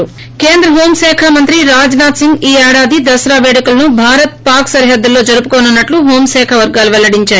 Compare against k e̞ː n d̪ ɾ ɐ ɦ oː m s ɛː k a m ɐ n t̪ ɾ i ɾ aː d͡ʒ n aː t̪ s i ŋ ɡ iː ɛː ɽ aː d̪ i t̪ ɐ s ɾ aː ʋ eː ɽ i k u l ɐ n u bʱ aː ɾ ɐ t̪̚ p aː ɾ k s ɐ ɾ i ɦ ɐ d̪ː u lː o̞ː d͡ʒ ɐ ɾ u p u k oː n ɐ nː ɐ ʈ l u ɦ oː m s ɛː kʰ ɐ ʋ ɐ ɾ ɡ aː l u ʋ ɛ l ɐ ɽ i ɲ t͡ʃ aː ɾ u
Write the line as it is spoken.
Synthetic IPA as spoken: k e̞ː n d̪ ɾ ɐ ɦ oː m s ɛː kʰ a m ɐ n t̪ ɾ i ɾ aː d͡ʒ n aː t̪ s i ŋ ɡ iː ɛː ɽ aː d̪ i d̪ ɐ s ɾ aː ʋ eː ɽ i k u l ɐ n u bʱ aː ɾ ɐ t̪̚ p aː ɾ k s ɐ ɾ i ɦ ɐ d̪ː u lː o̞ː d͡ʒ ɐ ɾ u p u k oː n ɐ nː ɐ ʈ l u ɦ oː m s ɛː kʰ ɐ ʋ ɐ ɾ ɡ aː l u ʋ ɛ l ɐ ɽ i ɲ t͡ʃ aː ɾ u

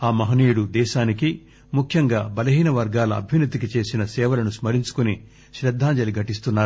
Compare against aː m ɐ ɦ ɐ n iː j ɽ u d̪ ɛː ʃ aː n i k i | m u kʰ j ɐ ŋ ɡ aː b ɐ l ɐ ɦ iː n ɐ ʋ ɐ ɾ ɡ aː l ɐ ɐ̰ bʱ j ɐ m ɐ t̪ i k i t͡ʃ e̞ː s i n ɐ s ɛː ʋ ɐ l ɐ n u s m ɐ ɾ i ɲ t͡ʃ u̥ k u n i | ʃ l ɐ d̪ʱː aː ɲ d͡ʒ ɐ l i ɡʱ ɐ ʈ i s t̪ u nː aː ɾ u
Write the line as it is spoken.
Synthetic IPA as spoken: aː m ɐ ɦ ɐ n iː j ɽ u d̪ ɛː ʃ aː n i k i | m u kʰ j ɐ ŋ ɡ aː b ɐ l ɐ ɦ iː n ɐ ʋ ɐ ɾ ɡ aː l ɐ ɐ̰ bʱ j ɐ n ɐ t̪ i k i t͡ʃ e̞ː s i n ɐ s ɛː ʋ ɐ l ɐ n u s m ɐ ɾ i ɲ t͡ʃ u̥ k u n i | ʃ ɾ ɐ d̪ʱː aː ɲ d͡ʒ ɐ l i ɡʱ ɐ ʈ i s t̪ u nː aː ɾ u

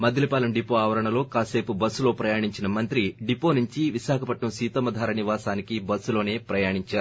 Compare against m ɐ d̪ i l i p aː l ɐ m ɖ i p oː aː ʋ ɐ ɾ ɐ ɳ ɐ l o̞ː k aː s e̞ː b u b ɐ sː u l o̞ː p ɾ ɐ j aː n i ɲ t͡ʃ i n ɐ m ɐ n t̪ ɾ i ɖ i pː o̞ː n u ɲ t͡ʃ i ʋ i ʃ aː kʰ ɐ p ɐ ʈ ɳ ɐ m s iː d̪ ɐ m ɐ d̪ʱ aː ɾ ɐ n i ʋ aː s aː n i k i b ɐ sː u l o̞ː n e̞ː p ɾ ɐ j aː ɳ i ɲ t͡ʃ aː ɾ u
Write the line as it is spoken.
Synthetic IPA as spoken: m ɐ d̪ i l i p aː l ɐ m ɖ i p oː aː ʋ ɐ ɾ ɐ ɳ ɐ l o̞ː k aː s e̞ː p u b ɐ sː u l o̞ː p ɾ ɐ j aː ɳ i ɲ t͡ʃ i n ɐ m ɐ n t̪ ɾ i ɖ i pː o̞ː n u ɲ t͡ʃ i ʋ i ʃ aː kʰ ɐ p ɐ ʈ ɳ ɐ m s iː t̪ ɐ m ɐ d̪ʱ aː ɾ ɐ n i ʋ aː s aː n i k i b ɐ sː u l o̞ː n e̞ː p ɾ ɐ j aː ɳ i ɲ t͡ʃ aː ɾ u

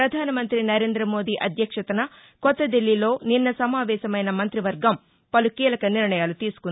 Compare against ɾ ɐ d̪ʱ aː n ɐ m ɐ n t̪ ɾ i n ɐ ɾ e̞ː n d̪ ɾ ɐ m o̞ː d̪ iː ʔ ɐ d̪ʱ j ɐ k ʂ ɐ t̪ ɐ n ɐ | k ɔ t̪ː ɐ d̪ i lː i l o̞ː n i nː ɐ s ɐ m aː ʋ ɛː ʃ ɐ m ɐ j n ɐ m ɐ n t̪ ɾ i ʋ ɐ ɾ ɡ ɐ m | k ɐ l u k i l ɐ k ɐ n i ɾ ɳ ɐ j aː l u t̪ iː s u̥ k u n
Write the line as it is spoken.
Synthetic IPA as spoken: ɾ ɐ d̪ʱ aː n ɐ m ɐ n t̪ ɾ i n ɐ ɾ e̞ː n d̪ ɾ ɐ m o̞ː d̪ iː ʔ ɐ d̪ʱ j ɐ k ʂ ɐ t̪ ɐ n ɐ | k ɔ t̪ː ɐ d̪ i lː i l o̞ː n i nː ɐ s ɐ m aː ʋ ɛː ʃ ɐ m ɐ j n ɐ m ɐ n t̪ ɾ i ʋ ɐ ɾ ɡ ɐ m | p ɐ l u k iː l ɐ k ɐ n i ɾ ɳ ɐ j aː l u t̪ iː s u̥ k u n

